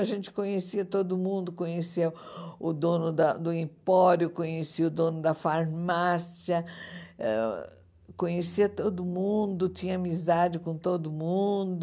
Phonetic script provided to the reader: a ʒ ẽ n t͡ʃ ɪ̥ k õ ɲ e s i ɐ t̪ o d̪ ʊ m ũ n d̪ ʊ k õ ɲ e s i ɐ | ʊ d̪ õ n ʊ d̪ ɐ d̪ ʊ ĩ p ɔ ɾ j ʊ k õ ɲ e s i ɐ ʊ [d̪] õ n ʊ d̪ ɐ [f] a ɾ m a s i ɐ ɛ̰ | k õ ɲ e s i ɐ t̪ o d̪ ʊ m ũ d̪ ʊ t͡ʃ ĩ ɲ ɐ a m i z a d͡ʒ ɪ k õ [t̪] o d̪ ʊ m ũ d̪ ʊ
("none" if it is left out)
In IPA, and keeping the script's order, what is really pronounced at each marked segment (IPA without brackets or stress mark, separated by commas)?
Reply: d̪, f, t̪